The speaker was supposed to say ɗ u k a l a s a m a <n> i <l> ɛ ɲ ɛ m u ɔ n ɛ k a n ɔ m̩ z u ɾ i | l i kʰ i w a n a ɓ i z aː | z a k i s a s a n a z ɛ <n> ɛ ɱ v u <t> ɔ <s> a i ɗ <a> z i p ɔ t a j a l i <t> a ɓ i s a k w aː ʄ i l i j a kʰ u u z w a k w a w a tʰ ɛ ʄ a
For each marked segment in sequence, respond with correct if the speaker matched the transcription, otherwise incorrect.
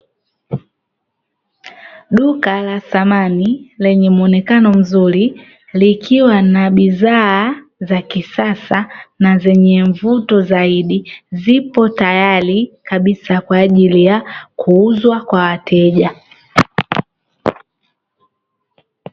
correct, correct, incorrect: ɲ, correct, incorrect: z, incorrect: i, incorrect: k

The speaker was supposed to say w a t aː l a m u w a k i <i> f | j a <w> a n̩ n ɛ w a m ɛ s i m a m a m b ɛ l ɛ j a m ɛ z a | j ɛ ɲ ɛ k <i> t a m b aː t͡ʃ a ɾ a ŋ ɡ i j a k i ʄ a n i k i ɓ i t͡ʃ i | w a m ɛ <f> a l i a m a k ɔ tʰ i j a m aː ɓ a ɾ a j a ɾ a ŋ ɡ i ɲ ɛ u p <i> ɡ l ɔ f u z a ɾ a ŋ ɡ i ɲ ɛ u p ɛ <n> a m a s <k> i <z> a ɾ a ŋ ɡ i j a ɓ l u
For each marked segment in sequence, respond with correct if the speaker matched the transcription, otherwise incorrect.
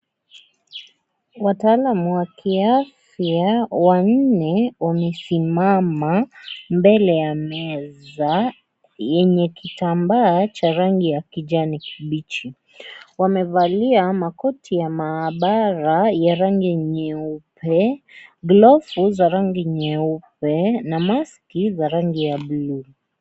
incorrect: a, correct, correct, incorrect: v, incorrect: ɛ, correct, correct, correct

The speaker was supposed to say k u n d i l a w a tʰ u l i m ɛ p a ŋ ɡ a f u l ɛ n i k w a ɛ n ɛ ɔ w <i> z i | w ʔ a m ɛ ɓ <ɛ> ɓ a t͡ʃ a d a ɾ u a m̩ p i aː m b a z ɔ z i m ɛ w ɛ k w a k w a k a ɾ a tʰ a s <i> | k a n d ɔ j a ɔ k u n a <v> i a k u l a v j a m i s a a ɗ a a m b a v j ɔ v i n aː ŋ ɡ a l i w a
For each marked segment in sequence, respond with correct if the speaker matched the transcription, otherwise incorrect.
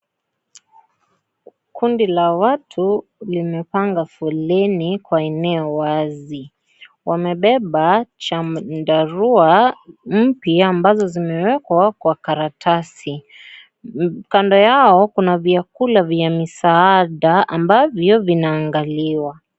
incorrect: a, correct, correct, correct

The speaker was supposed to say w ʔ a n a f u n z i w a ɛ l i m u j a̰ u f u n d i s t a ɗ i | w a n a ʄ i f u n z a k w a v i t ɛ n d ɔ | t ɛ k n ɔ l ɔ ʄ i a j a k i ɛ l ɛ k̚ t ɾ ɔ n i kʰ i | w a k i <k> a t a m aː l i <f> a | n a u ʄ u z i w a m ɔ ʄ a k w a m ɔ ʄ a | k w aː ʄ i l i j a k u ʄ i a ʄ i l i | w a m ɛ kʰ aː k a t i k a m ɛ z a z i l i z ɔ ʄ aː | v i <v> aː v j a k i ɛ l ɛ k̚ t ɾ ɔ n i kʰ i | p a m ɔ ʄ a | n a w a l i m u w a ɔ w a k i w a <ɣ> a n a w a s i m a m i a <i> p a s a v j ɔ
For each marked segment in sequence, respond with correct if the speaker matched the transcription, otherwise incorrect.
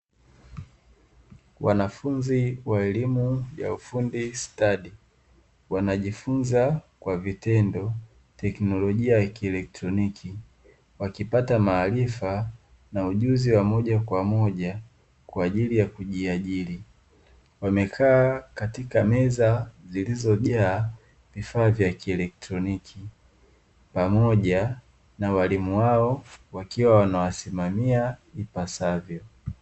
incorrect: p, correct, incorrect: f, incorrect: w, correct

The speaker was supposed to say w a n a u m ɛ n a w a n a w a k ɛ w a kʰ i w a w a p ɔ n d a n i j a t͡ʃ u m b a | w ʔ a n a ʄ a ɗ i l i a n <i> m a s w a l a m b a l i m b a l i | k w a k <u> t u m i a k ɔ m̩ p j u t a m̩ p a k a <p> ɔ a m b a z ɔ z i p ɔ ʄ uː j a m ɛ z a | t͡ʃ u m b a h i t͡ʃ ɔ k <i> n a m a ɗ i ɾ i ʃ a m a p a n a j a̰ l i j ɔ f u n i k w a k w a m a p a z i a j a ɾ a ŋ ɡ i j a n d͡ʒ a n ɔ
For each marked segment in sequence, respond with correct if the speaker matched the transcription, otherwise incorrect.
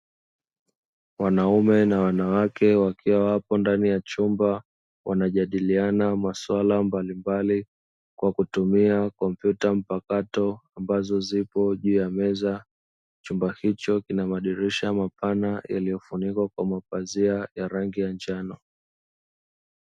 incorrect: a, correct, incorrect: t, correct

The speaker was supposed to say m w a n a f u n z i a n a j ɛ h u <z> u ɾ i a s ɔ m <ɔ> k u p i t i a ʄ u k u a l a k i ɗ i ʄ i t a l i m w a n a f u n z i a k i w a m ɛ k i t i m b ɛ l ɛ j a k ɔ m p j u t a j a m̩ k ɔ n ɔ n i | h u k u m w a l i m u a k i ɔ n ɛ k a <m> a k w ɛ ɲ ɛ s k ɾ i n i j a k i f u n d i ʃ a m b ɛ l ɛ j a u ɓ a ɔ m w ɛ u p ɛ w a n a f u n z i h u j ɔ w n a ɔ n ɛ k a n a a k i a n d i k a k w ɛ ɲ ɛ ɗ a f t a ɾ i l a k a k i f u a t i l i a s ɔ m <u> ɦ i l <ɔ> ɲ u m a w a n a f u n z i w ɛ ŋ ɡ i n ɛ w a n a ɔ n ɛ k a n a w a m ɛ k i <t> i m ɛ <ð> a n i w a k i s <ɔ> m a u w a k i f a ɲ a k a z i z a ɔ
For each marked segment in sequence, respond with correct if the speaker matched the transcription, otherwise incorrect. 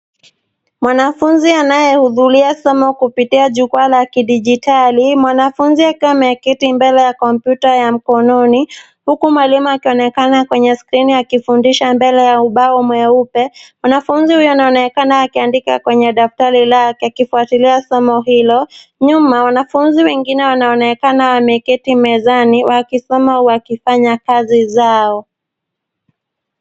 incorrect: ð, correct, incorrect: n, incorrect: ɔ, correct, correct, incorrect: z, correct

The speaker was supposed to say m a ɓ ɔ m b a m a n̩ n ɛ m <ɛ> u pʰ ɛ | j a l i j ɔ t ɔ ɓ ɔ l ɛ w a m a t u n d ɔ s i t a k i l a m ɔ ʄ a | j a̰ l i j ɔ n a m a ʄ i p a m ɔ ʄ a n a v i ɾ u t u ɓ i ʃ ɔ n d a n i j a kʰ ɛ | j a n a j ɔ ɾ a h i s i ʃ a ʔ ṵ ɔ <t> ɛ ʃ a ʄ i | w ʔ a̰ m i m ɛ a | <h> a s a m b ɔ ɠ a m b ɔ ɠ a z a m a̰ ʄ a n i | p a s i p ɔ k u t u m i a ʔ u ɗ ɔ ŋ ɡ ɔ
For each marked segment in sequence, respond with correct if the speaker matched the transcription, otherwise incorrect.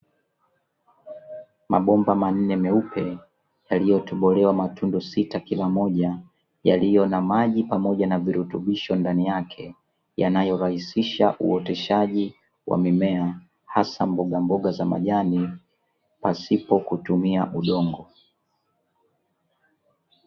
correct, correct, correct

